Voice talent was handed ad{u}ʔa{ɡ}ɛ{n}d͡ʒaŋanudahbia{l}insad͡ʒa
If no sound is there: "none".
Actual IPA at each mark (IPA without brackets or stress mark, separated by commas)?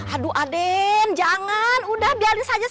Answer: u, d, n, l